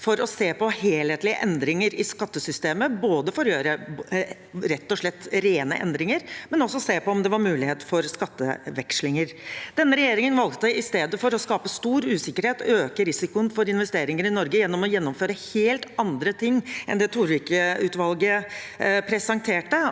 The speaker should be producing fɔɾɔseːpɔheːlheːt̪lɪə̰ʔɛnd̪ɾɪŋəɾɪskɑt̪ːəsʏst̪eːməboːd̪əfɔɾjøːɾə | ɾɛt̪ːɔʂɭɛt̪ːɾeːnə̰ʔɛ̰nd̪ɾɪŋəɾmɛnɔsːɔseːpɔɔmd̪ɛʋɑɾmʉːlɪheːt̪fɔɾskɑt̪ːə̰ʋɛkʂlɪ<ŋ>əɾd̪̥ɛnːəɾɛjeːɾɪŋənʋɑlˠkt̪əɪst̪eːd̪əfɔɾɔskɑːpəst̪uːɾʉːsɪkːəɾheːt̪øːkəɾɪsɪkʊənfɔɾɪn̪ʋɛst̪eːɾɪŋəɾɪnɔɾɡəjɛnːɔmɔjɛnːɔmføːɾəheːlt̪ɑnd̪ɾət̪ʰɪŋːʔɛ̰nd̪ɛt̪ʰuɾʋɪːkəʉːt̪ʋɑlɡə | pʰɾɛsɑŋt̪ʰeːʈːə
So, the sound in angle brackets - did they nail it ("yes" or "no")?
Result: yes